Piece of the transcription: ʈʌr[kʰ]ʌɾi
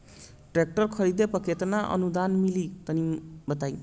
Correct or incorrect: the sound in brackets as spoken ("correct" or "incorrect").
correct